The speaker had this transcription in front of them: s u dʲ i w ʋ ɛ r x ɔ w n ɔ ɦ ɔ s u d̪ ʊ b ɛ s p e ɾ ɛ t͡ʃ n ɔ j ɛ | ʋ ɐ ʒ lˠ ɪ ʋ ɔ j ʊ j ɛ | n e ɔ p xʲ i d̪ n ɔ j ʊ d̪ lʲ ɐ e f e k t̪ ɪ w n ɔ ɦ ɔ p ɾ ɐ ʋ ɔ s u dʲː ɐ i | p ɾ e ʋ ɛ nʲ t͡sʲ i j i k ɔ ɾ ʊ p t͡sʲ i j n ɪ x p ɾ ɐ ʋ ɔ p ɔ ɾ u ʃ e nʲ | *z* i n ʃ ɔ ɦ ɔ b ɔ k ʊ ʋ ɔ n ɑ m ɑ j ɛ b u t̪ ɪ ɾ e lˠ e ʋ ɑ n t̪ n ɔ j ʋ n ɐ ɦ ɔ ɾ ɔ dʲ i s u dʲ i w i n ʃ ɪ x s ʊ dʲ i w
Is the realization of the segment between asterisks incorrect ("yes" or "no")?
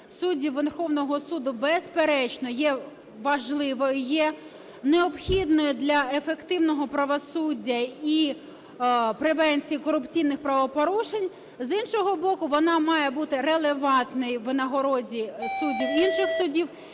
no